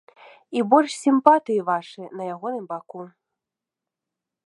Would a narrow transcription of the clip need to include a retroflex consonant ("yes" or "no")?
yes